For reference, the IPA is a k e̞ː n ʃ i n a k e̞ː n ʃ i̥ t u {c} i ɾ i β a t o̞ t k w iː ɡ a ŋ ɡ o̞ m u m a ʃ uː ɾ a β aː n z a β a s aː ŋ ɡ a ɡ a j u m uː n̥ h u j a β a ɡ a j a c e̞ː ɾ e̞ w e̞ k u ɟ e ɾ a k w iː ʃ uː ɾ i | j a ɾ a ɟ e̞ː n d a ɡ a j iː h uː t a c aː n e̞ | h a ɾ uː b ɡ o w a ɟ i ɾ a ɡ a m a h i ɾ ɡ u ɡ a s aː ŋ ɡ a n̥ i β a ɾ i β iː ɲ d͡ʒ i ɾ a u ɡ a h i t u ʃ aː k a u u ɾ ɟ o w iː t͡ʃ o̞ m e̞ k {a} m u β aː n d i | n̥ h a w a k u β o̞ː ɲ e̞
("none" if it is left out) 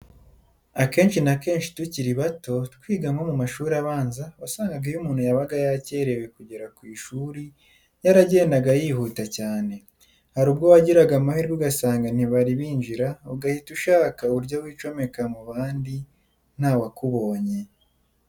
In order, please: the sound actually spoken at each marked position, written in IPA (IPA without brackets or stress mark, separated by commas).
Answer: c, a